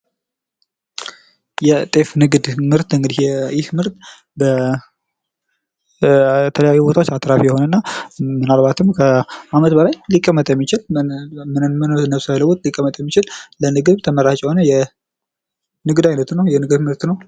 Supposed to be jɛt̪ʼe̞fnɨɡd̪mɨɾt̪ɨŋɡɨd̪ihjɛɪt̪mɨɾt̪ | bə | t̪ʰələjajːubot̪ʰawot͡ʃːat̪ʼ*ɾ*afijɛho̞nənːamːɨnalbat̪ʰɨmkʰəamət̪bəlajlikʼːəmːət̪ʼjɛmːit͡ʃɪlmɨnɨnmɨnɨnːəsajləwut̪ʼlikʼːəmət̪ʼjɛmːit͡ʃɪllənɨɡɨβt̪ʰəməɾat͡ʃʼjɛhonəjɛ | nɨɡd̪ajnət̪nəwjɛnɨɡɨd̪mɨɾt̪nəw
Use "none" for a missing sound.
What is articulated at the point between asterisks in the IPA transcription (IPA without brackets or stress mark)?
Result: ɾ